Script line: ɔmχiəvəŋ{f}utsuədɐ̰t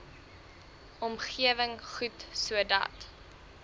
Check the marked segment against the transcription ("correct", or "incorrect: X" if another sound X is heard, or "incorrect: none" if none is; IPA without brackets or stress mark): incorrect: χ